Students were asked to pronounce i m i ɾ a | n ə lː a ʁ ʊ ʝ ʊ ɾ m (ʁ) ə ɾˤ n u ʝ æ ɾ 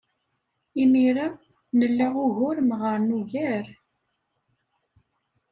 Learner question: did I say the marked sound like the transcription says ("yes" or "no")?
yes